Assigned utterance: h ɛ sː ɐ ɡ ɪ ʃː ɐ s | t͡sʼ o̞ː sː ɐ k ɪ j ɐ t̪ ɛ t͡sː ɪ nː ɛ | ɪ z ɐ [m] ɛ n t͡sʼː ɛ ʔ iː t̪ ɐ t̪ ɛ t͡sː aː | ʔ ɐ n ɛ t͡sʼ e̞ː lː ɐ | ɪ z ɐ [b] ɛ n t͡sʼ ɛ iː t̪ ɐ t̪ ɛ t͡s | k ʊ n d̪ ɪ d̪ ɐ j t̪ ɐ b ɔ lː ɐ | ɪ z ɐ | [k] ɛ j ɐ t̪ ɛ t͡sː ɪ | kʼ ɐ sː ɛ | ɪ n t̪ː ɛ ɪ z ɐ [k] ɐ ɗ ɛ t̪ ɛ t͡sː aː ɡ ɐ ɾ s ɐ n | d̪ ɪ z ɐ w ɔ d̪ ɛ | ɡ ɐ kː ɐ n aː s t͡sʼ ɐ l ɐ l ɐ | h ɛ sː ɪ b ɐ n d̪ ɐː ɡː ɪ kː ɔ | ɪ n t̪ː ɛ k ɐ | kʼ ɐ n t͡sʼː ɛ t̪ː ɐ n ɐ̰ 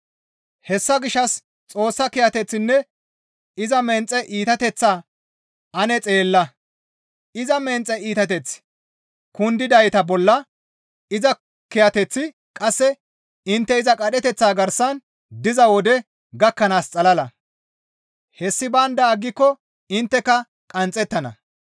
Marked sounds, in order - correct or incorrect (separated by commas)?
correct, incorrect, correct, incorrect